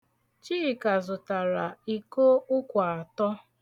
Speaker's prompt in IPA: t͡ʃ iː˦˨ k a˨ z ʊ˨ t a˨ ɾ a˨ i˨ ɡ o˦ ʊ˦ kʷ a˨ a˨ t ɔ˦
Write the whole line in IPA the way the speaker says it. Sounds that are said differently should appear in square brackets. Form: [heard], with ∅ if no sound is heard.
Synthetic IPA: t͡ʃ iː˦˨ k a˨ z ʊ˨ t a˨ ɾ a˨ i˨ [k] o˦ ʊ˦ kʷ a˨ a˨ t ɔ˦